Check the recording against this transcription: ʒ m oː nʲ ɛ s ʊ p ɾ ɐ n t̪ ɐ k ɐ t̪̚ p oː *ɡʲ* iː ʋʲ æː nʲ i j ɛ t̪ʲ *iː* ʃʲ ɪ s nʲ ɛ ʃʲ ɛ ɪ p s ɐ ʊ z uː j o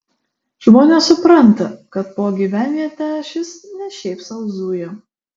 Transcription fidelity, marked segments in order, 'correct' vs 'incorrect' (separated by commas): correct, incorrect